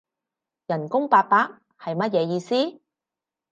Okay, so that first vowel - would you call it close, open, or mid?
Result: open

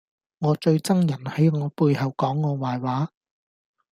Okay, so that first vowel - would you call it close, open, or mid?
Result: mid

